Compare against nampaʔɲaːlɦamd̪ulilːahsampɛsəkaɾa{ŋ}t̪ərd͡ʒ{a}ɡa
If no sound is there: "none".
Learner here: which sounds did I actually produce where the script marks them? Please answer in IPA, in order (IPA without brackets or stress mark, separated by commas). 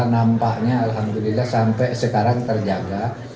ŋ, a